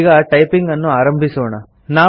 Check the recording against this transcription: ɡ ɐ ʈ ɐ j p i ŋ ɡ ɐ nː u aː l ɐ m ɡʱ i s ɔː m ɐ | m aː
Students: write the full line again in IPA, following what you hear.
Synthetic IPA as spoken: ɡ ɐ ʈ ɐ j p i ŋ ɡ ɐ nː u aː ɾ ɐ m bʱ i s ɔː ɳ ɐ | n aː